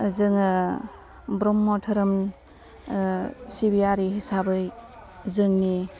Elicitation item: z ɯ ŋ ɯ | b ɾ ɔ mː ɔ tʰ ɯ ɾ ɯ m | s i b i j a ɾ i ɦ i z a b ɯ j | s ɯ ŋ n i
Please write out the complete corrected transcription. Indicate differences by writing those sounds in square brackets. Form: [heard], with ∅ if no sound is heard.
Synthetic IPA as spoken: z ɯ ŋ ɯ | b ɾ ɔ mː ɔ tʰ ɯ ɾ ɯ m | s i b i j a ɾ i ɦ i [s] a b ɯ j | [z] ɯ ŋ n i